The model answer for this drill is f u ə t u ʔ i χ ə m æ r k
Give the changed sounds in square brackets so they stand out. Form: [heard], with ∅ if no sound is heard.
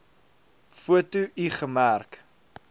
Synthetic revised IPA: f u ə t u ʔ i χ ə m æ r k

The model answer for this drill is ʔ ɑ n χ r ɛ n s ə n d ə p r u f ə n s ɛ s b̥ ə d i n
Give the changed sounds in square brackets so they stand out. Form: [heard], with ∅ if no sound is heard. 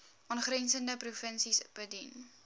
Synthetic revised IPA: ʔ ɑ n χ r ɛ n s ə n d ə p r u f ə n s [i] s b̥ ə d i n

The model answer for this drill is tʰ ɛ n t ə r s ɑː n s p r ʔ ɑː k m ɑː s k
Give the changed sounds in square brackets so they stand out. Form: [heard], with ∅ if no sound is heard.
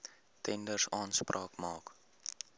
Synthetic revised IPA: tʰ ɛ n [d] ə r s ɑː n s p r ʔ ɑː k m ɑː [∅] k

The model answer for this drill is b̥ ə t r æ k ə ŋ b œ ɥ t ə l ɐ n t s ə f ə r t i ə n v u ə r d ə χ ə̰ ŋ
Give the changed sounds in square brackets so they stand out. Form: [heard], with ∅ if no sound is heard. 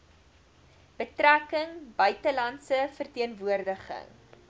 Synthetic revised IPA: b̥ ə t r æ k ə ŋ b œ ɥ t ə l ɐ n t s ə f ə r t i ə n v u ə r d ə χ ə̰ ŋ

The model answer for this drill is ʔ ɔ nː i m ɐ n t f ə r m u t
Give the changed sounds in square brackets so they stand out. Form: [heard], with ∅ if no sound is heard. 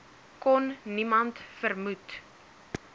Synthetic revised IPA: [k] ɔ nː i m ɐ n t f ə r m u t

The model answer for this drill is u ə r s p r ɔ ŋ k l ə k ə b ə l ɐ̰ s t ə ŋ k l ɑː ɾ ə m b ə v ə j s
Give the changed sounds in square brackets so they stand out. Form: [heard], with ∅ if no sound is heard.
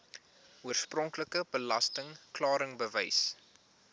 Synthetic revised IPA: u ə r s p r ɔ ŋ k l ə k ə b ə l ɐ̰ s t ə ŋ k l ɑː ɾ ə [ŋ] b ə v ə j s

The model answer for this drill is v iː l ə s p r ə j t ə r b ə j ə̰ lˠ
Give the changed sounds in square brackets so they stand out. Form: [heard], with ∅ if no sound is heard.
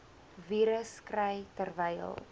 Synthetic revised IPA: v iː [ɾ] ə s [k] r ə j t ə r [v] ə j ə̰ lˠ

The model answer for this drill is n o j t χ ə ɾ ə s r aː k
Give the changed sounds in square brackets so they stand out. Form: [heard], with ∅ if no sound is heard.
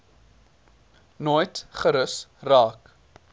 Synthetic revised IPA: n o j t χ ə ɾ ə s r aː k

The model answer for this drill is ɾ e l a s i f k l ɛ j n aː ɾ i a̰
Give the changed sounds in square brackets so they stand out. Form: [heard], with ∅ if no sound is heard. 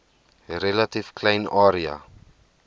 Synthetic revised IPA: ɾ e l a [t] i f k l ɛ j n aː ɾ i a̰

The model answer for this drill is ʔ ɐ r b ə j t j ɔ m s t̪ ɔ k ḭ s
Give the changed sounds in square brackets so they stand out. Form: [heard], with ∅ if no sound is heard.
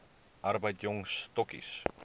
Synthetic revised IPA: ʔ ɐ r b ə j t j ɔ [ŋ] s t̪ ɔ k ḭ s

